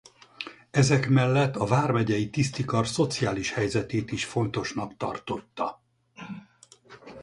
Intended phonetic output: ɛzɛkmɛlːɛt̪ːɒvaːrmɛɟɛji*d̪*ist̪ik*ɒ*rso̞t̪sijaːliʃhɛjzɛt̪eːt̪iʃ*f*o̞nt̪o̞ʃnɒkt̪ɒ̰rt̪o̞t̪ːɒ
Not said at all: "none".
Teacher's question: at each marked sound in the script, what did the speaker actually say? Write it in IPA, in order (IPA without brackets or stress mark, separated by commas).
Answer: t̪, ɒ, f